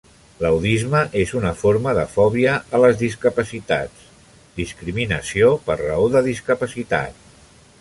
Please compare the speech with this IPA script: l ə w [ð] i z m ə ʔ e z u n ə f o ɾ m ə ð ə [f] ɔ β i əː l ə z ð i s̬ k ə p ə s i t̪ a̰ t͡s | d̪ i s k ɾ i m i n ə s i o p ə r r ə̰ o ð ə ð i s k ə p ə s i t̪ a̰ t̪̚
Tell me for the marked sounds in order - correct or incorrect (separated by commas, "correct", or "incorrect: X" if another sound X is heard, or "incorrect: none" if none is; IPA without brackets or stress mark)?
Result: correct, correct